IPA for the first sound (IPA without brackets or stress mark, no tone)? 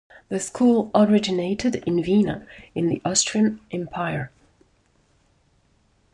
ð